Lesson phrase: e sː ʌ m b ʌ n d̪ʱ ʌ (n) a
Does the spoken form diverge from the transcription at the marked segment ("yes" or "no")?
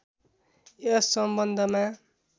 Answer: yes